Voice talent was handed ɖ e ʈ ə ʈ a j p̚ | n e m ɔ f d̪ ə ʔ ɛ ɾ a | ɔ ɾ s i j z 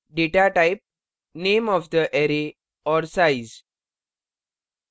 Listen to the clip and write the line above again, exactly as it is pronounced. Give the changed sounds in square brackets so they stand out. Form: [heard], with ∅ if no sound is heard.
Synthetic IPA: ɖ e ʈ [a] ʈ a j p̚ | n e m ɔ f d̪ ə ʔ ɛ ɾ [e] | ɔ ɾ s [a] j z